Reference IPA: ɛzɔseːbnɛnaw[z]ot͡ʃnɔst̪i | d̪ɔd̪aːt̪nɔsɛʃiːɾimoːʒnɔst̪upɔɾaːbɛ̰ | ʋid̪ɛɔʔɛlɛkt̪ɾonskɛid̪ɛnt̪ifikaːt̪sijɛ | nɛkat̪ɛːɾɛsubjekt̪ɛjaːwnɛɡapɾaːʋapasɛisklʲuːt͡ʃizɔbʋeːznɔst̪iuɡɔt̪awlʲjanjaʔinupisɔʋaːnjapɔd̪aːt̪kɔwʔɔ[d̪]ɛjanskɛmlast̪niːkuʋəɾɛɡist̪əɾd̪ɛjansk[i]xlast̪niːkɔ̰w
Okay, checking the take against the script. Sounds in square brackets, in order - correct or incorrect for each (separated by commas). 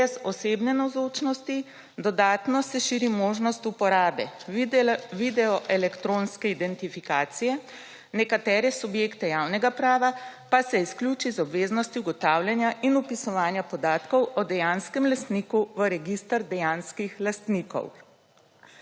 correct, correct, correct